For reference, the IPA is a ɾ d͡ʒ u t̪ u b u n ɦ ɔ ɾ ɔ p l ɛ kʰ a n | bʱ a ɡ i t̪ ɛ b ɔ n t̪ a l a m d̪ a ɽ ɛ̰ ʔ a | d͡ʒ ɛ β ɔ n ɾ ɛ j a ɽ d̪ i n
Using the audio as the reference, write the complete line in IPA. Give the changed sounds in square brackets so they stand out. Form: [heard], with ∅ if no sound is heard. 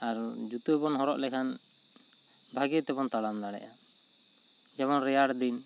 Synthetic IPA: a ɾ d͡ʒ u t̪ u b [ɔ] n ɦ ɔ ɾ ɔ [ʔ] l ɛ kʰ a n | bʱ a ɡ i t̪ ɛ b ɔ n t̪ a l a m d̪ a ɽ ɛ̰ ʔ a | d͡ʒ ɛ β ɔ n ɾ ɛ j a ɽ d̪ i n